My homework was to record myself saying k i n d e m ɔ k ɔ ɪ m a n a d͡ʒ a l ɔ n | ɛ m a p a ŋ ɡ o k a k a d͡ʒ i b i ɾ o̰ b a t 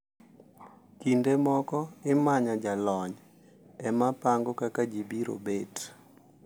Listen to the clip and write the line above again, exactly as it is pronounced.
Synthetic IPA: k i n d e m ɔ k ɔ ɪ m a ɲ a d͡ʒ a l ɔ ɲ | ɛ m a p a ŋ ɡ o k a k a d͡ʒ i b i ɾ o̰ b e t